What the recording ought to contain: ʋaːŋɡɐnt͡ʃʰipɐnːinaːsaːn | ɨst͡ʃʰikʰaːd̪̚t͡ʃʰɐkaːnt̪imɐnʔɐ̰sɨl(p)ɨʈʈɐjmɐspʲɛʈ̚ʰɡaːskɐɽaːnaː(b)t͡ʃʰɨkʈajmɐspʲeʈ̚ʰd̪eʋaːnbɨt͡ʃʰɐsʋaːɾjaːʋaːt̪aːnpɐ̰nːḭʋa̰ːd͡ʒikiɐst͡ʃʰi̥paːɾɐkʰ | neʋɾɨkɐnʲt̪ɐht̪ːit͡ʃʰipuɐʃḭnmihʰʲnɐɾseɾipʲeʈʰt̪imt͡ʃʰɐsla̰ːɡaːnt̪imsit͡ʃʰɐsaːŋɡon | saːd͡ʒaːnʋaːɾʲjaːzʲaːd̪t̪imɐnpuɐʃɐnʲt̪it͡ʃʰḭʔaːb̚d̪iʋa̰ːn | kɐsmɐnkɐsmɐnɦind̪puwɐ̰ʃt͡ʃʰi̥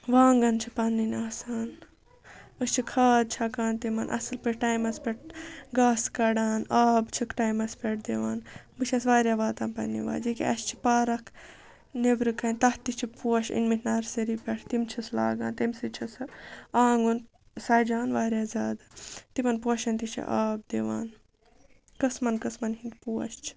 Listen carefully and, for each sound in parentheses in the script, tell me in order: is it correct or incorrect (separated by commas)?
correct, correct